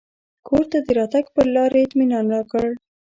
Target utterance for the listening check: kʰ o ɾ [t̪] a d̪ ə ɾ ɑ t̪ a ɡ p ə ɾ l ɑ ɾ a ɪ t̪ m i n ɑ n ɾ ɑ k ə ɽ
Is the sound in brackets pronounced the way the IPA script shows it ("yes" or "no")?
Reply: yes